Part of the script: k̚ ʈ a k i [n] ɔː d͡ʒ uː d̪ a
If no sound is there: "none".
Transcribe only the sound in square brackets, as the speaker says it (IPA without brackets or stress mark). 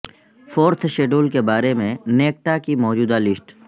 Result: m